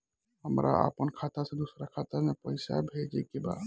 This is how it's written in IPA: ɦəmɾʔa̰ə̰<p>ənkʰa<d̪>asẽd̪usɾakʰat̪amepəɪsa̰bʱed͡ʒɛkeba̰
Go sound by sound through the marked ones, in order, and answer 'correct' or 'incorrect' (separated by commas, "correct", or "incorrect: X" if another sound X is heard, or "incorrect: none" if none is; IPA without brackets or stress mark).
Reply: correct, incorrect: t̪